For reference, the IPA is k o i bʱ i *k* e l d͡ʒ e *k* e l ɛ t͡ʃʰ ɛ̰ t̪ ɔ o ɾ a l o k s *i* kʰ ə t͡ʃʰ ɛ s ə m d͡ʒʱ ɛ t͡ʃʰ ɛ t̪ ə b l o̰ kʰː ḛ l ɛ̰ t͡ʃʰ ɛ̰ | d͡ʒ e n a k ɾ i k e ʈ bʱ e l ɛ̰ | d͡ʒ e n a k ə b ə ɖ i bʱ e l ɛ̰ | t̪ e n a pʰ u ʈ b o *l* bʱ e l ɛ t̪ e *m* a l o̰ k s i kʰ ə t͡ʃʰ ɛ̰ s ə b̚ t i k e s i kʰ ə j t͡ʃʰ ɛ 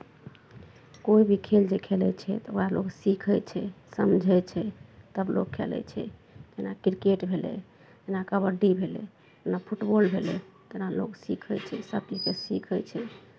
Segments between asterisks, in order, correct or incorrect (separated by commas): incorrect, incorrect, correct, correct, incorrect